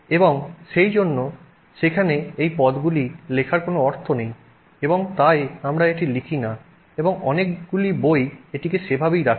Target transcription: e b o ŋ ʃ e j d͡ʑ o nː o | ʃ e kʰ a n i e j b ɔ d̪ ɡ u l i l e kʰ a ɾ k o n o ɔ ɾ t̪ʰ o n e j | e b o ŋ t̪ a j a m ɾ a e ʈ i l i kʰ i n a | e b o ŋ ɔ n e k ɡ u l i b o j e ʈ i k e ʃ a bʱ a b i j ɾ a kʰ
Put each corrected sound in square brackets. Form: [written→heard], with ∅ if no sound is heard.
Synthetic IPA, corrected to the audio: e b o ŋ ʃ e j d͡ʑ o nː o | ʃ e kʰ a n [i→e] e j [b→p] ɔ d̪ ɡ u l i l e kʰ a ɾ k o n o ɔ ɾ t̪ʰ o n e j | e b o ŋ t̪ a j a m ɾ a e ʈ i l i kʰ i n a | e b o ŋ ɔ n e k ɡ u l i b o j e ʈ i k e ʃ [a→e] bʱ a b i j ɾ a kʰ